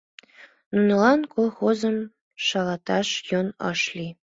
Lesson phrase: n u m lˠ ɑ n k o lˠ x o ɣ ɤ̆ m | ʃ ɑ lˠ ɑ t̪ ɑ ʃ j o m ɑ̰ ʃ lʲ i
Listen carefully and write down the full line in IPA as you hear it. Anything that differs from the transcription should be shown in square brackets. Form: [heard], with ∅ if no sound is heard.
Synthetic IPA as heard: n u [n] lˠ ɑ n k o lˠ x o [z] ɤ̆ m | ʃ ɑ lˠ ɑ t̪ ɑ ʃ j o [n] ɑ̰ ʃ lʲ i